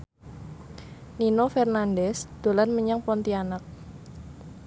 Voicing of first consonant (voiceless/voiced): voiced